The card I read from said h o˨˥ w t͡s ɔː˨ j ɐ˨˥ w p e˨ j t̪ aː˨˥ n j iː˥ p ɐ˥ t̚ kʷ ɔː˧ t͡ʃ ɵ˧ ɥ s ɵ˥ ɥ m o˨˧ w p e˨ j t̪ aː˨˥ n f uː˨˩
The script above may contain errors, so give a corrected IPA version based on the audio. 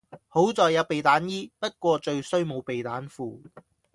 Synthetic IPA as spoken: h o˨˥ w t͡s ɔː˨ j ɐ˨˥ w p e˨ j t̪ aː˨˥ n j iː˥ p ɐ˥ t̚ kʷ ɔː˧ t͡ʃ ɵ˧ ɥ s ɵ˥ ɥ m o˨˧ w p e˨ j t̪ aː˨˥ n f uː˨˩